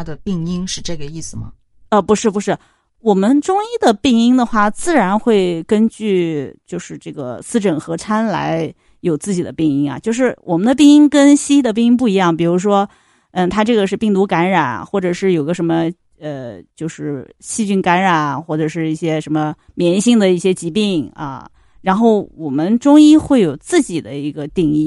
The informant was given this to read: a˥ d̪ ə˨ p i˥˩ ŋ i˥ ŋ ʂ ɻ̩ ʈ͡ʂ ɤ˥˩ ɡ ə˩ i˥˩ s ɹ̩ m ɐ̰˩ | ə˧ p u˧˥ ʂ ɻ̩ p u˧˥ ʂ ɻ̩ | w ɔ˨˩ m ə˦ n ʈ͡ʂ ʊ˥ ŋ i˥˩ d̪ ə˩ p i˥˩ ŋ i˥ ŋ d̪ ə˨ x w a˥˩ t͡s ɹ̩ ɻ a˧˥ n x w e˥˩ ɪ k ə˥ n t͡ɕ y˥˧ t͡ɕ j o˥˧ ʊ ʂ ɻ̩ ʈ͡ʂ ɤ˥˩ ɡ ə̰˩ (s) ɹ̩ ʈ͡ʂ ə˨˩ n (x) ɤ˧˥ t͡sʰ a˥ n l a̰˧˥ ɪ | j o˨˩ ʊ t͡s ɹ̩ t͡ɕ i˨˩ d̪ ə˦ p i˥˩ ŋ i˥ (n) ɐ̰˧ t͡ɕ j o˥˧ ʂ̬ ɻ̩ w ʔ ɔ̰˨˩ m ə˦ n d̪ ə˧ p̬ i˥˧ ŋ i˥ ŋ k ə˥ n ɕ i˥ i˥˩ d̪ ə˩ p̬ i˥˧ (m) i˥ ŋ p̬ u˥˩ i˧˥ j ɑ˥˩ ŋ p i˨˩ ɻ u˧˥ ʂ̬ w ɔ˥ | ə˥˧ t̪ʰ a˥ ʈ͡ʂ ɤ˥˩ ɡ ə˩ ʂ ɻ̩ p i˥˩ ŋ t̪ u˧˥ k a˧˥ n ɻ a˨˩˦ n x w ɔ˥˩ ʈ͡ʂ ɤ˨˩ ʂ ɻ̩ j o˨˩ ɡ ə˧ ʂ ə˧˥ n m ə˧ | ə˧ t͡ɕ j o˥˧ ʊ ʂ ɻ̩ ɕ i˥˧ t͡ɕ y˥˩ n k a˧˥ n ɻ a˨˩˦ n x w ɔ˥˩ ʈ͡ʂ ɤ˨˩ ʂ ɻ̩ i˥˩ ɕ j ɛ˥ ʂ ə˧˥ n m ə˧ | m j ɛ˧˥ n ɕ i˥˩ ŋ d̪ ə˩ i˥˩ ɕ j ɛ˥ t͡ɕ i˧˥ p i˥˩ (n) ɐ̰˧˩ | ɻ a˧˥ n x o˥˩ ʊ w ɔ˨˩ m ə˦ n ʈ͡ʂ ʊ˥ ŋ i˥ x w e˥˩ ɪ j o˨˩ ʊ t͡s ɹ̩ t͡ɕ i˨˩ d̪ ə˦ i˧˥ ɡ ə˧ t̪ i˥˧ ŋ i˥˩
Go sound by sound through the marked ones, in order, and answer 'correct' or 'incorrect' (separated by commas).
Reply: correct, correct, incorrect, incorrect, incorrect